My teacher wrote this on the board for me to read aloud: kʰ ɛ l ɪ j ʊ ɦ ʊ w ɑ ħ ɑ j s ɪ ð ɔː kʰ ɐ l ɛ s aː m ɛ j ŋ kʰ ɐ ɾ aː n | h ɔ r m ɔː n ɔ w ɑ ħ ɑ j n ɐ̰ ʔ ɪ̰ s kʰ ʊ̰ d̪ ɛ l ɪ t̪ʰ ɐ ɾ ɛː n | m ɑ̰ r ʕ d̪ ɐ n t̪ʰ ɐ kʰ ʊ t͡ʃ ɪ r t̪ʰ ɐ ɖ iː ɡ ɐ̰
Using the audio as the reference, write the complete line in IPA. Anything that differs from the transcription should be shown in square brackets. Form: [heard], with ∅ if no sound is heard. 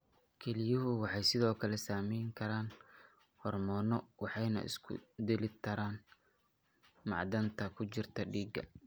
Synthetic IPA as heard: kʰ ɛ l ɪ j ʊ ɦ ʊ w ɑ ħ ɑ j s ɪ ð ɔː kʰ ɐ l ɛ s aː m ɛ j ŋ kʰ ɐ ɾ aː n | h ɔ r m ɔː n ɔ w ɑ ħ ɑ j n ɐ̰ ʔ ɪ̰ s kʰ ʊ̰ d̪ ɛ l ɪ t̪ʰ ɐ ɾ [aː] n | m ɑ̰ [∅] ʕ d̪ ɐ n t̪ʰ ɐ kʰ ʊ t͡ʃ ɪ r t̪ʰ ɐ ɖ iː ɡ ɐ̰